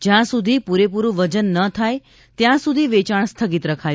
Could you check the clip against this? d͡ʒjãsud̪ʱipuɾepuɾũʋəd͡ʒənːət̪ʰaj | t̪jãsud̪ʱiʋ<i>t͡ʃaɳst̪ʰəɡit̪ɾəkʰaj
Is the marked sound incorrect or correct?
incorrect